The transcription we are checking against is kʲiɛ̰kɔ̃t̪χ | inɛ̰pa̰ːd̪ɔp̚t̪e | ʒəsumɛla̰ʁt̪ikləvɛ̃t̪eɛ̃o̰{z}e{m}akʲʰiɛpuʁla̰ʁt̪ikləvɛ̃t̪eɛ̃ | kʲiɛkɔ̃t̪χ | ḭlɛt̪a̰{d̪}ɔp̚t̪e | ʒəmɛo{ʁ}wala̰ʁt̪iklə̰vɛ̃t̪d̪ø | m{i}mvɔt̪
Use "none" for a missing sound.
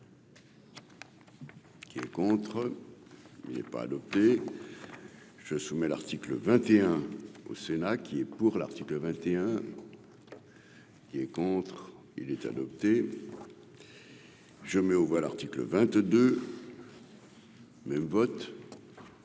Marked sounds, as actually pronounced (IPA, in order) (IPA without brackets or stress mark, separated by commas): s, n, d̪, v, ɛ